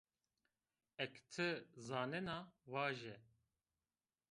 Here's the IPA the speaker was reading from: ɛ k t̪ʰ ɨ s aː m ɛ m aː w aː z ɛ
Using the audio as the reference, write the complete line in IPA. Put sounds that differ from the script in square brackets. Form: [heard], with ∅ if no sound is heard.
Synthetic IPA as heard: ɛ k t̪ʰ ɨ [z] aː [n] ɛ [n] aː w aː [ʒ] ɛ